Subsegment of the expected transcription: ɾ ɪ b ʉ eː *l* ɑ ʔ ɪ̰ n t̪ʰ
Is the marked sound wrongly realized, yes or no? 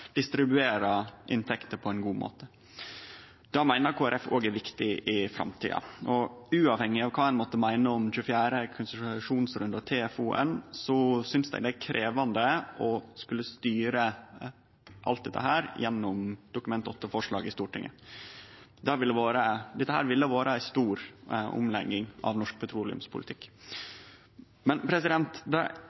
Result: yes